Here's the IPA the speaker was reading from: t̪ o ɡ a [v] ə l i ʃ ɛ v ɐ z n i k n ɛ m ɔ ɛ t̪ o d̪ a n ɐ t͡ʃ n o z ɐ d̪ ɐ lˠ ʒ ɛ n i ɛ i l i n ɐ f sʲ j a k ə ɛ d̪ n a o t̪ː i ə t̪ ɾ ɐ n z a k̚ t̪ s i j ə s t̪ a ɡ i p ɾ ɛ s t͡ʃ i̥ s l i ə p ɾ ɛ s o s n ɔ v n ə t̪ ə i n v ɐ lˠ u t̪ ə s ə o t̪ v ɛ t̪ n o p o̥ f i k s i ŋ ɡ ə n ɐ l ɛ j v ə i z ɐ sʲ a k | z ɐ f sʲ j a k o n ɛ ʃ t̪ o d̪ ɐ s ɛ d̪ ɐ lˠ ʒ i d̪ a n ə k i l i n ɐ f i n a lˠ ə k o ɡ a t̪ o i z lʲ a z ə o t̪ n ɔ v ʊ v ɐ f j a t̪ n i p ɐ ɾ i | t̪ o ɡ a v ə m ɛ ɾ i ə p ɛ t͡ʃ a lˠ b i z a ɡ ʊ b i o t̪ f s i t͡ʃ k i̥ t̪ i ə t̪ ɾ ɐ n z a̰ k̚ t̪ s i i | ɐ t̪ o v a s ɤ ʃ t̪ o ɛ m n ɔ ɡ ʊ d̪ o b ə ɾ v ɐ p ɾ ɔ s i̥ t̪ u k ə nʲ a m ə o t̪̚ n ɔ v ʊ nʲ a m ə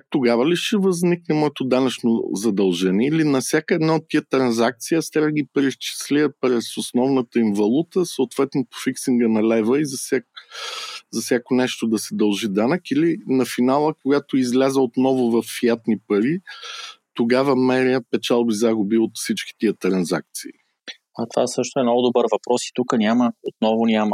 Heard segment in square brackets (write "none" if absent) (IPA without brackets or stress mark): v